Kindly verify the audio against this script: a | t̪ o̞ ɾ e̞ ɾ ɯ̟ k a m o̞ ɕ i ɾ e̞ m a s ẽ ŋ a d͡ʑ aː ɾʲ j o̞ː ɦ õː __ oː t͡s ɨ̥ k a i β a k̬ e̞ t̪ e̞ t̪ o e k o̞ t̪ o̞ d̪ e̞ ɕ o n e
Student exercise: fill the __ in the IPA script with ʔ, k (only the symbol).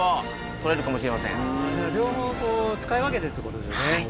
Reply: k